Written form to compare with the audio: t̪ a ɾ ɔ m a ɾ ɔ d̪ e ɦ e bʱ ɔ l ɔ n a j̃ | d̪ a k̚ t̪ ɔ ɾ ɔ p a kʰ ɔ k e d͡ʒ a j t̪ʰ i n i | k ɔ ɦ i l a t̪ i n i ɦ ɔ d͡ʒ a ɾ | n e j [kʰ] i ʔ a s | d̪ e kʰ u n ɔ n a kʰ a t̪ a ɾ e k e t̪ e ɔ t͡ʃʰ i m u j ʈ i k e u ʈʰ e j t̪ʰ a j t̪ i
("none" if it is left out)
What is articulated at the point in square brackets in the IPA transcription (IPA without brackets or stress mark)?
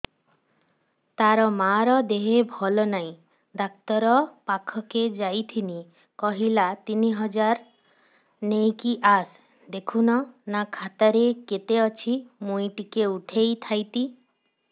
k